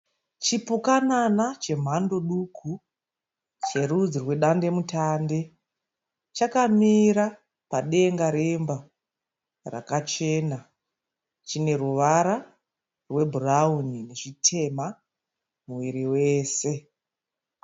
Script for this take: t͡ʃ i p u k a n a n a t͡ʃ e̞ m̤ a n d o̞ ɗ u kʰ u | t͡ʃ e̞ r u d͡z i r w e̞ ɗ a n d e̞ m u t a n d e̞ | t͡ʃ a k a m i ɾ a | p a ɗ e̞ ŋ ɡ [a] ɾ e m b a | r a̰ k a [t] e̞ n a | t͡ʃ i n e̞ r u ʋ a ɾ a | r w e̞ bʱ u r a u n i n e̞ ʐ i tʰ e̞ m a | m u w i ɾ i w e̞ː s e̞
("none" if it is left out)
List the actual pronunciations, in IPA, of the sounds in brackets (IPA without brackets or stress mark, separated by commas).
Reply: a, t͡ʃ